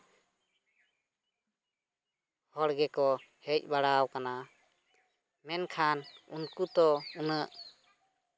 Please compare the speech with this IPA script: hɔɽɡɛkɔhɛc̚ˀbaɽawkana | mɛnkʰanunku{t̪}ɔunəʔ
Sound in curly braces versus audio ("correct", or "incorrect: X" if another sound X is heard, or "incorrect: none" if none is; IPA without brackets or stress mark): correct